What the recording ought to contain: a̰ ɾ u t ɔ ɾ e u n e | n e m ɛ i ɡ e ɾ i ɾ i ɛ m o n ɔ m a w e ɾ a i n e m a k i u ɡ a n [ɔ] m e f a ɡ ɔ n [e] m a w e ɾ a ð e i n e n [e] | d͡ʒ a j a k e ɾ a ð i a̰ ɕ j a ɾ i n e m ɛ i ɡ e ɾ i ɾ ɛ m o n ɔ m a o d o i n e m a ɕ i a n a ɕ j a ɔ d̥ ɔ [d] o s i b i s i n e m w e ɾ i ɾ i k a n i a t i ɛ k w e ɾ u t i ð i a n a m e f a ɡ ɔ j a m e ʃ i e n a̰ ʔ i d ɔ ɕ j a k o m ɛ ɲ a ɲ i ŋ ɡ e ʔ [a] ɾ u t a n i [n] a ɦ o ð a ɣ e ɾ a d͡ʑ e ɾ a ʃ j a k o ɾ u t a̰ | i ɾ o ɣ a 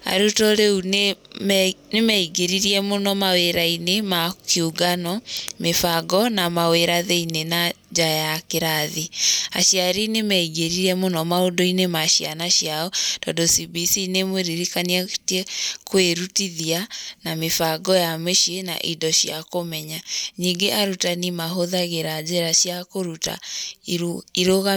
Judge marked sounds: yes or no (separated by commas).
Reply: yes, no, no, yes, yes, no